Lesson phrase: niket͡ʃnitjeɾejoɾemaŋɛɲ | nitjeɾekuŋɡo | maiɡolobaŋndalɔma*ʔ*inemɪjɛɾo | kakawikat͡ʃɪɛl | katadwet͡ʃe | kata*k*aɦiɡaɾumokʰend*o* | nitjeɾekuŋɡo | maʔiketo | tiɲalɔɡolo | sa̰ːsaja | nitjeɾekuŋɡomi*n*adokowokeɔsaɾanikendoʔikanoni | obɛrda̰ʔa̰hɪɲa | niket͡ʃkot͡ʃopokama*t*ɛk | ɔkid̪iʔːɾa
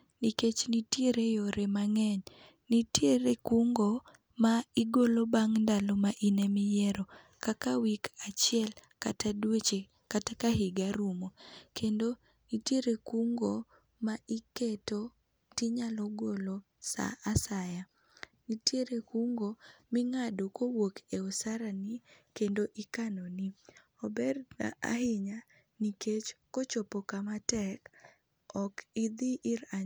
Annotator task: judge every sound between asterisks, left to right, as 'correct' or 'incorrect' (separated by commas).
correct, correct, correct, incorrect, correct